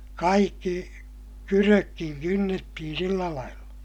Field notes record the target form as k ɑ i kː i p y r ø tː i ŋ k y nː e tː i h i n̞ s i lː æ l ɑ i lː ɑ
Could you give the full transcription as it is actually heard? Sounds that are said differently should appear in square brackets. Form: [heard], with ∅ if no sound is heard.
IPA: k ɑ i kː i [k] y r ø [kː] i ŋ k y nː e tː i h i n̞ s i lː æ l ɑ i lː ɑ